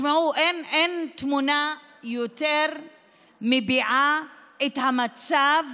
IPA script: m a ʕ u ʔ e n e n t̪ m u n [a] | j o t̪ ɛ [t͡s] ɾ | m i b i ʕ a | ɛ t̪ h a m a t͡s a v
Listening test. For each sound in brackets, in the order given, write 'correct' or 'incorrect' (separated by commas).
correct, incorrect